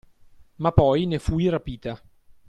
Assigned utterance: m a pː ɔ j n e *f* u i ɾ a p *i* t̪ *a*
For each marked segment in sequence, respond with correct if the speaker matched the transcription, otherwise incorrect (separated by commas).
correct, incorrect, correct